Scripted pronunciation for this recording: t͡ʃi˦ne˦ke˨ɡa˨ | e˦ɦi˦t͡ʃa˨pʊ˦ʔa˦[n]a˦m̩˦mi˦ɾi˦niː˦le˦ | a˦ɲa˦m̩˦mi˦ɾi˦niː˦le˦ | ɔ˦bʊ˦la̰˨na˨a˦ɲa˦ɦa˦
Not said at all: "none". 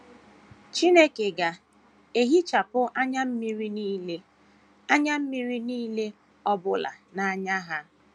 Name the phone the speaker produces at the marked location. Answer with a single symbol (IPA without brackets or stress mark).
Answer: ɲ